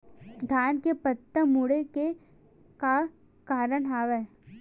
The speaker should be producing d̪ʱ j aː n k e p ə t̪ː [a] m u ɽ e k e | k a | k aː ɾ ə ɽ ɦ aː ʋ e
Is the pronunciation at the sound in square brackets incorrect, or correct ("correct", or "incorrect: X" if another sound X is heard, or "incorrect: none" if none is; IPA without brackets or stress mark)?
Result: incorrect: ə